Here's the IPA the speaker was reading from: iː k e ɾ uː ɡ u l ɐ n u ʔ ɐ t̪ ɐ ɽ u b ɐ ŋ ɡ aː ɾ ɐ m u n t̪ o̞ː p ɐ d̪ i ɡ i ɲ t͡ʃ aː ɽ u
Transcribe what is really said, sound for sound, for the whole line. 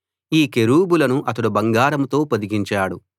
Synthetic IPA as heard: iː k e ɾ uː b u l ɐ n u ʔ ɐ t̪ ɐ ɽ u b ɐ ŋ ɡ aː ɾ ɐ m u t̪ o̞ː p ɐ d̪ i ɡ i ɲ t͡ʃ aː ɽ u